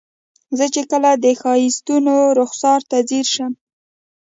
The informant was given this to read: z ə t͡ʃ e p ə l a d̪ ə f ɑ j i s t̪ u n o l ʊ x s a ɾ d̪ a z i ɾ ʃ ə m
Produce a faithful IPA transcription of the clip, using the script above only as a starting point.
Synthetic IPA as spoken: z ə t͡ʃ e k ə l a d̪ ə x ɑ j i s t̪ u n o ɾ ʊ x s ɑ ɾ t̪ a z i ɾ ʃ ə m